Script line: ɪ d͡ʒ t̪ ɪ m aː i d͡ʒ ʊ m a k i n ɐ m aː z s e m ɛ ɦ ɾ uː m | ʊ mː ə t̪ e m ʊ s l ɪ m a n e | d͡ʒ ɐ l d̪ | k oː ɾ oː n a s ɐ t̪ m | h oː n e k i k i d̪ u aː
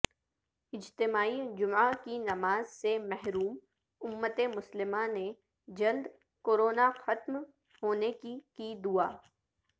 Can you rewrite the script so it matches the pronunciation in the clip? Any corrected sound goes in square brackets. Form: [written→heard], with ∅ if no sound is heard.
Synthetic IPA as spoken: ɪ d͡ʒ t̪ ɪ m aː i d͡ʒ ʊ m a k i n ɐ m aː z s e m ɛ ɦ ɾ uː m | ʊ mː ə t̪ e m ʊ s l ɪ m a n e | d͡ʒ ɐ l d̪ | k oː ɾ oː n a [s→x] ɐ t̪ m | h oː n e k i k i d̪ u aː